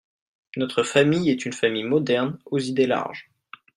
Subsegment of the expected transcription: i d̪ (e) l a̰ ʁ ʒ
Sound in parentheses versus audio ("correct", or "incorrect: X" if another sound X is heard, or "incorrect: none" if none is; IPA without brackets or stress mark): correct